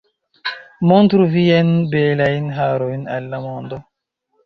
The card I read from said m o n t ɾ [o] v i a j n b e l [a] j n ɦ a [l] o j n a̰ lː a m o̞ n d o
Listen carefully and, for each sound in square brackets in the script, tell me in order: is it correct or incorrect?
incorrect: u, correct, incorrect: ɾ

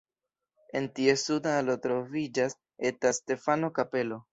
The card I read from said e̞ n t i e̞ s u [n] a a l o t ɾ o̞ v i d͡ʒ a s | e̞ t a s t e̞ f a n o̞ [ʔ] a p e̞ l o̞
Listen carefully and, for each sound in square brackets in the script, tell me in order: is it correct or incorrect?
incorrect: d, incorrect: k

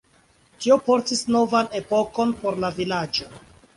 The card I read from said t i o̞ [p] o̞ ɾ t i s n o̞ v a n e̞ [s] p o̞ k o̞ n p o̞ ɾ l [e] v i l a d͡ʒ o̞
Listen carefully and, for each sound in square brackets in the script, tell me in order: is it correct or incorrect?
correct, incorrect: none, incorrect: a

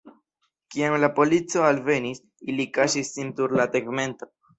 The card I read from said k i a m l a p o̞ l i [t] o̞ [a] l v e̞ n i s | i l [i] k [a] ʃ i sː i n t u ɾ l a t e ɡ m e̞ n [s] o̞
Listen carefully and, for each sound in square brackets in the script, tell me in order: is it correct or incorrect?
incorrect: t͡s, correct, correct, correct, incorrect: t

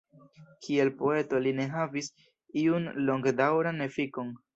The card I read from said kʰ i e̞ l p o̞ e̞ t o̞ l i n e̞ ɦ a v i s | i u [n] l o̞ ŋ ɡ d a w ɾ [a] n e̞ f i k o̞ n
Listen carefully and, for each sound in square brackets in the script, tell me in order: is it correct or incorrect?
correct, correct

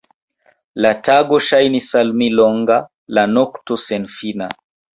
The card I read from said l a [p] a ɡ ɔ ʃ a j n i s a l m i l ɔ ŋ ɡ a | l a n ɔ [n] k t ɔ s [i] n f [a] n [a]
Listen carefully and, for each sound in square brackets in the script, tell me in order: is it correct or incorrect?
incorrect: t, incorrect: none, incorrect: ɛ, incorrect: i, correct

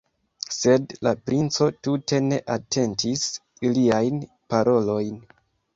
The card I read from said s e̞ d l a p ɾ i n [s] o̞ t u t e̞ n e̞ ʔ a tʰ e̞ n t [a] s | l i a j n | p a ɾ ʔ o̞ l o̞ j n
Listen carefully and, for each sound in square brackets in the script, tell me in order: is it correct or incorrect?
incorrect: t͡s, incorrect: i

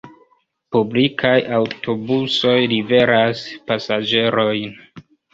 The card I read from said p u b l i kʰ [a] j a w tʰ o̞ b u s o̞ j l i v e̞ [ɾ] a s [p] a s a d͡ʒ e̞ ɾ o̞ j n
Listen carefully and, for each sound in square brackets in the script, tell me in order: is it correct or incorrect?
correct, correct, correct

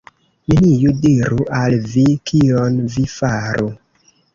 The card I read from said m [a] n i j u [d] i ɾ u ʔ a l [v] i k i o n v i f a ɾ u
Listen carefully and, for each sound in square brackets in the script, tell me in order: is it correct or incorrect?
incorrect: i, correct, correct

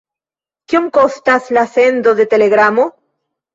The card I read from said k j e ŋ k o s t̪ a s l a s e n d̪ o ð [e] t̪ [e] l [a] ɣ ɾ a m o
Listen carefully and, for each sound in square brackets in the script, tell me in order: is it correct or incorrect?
correct, correct, incorrect: e

